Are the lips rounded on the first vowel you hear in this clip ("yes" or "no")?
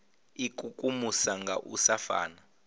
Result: no